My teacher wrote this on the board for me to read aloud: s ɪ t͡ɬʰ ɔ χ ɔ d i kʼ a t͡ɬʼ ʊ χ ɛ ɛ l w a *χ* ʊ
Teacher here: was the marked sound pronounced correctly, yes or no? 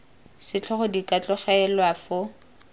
no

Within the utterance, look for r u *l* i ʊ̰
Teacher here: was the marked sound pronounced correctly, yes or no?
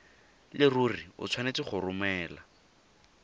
no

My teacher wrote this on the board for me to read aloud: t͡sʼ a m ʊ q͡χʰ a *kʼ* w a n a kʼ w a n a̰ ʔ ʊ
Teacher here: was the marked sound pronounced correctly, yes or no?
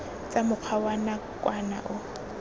no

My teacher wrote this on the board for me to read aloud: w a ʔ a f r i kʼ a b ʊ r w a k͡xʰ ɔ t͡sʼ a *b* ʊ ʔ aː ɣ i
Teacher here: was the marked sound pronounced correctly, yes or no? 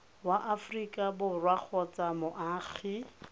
no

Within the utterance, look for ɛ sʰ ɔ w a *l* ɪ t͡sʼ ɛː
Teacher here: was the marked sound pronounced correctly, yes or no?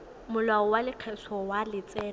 yes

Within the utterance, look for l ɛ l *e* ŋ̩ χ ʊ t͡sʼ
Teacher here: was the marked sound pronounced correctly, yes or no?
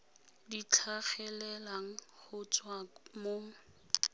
no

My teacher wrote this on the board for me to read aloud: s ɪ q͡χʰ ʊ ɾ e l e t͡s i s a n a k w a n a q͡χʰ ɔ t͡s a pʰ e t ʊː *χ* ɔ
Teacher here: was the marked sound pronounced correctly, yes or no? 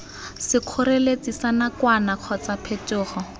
yes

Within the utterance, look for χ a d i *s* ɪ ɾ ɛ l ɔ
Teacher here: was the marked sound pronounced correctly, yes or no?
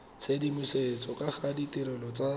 no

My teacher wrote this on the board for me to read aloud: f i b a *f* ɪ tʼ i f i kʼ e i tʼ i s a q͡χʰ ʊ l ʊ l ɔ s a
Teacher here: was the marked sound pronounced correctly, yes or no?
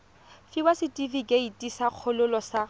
no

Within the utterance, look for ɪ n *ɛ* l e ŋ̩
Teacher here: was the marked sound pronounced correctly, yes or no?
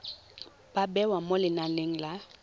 no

